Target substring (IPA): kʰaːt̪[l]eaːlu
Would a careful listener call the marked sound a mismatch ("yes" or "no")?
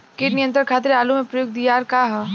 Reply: yes